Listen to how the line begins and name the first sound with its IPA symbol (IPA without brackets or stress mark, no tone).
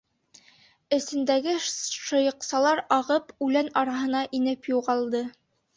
ɘ̆